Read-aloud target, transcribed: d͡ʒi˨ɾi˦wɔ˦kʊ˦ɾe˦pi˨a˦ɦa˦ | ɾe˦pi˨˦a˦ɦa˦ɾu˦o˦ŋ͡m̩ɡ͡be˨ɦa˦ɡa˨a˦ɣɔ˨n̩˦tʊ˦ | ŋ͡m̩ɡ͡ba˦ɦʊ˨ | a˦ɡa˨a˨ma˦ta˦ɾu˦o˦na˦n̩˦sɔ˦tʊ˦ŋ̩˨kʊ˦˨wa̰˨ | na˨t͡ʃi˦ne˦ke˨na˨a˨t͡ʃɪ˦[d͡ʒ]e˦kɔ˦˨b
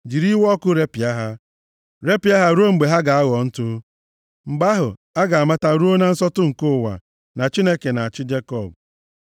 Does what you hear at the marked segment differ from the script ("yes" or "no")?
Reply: no